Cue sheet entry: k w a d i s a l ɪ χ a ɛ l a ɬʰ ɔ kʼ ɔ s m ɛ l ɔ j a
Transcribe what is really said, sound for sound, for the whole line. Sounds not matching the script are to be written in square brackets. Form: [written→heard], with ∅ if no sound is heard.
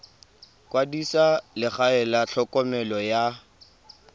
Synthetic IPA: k w a d i s a l ɪ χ a ɛ l a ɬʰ ɔ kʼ ɔ [s→∅] m ɛ l ɔ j a